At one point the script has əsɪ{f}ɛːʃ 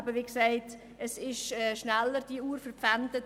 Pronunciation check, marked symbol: incorrect: ʃ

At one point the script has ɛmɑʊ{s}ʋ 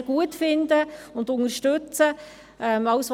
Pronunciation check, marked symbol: correct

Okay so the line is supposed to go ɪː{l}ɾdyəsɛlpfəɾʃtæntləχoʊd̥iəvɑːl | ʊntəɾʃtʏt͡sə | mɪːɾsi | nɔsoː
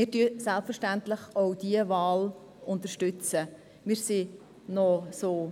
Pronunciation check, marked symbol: incorrect: none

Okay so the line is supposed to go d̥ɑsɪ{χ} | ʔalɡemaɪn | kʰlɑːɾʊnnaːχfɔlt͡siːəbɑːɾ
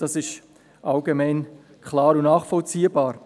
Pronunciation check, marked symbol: incorrect: ʃ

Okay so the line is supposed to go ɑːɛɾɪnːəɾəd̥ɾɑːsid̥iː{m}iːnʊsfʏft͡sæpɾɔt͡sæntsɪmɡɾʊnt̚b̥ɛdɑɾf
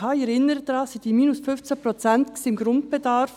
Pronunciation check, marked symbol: correct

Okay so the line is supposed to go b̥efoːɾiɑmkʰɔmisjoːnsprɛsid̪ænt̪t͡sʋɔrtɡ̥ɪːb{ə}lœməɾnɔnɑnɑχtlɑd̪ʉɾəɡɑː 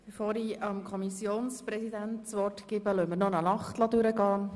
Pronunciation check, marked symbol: correct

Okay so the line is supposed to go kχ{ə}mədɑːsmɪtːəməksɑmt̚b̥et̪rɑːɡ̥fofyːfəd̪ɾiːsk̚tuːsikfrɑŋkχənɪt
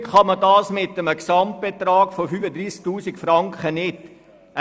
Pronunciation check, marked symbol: incorrect: ɑ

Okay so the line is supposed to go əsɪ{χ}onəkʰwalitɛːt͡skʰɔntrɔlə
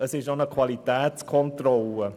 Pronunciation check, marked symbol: incorrect: ʃ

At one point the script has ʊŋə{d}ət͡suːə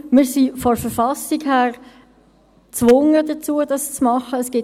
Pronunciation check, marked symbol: correct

